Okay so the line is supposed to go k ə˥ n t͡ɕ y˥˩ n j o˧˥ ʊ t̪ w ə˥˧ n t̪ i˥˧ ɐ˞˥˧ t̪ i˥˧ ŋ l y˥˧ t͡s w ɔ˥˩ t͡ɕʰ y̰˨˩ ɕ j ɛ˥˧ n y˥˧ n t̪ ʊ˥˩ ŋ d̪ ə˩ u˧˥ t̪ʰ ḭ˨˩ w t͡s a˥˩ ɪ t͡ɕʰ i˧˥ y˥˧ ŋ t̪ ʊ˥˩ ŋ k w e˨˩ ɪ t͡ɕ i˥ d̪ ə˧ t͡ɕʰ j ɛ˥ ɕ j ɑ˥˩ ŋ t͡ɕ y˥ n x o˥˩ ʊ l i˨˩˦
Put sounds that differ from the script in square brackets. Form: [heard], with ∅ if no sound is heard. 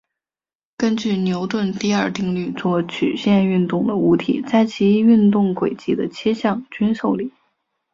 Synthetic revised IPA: k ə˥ n t͡ɕ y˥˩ n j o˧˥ ʊ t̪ w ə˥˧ n t̪ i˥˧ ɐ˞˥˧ t̪ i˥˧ ŋ l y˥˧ t͡s w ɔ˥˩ t͡ɕʰ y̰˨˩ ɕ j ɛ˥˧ n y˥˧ n t̪ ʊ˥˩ ŋ d̪ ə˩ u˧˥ t̪ʰ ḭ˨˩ [∅] t͡s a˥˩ ɪ t͡ɕʰ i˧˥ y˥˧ [n] t̪ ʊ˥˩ ŋ k w e˨˩ ɪ t͡ɕ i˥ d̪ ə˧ t͡ɕʰ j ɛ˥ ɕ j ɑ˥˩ ŋ t͡ɕ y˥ n [ʂ] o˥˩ ʊ l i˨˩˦